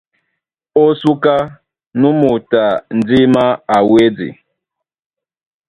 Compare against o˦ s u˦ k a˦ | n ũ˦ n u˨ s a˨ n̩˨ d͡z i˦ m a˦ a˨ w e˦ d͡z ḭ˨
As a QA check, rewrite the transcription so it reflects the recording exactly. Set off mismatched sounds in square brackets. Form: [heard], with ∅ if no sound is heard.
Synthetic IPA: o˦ s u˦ k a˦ | n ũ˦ [m] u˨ [t] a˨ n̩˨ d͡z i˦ m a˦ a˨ w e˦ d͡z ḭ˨